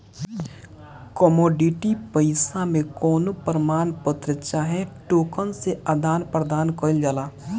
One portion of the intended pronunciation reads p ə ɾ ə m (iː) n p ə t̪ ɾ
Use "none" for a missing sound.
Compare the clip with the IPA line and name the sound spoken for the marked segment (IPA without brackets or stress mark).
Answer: aː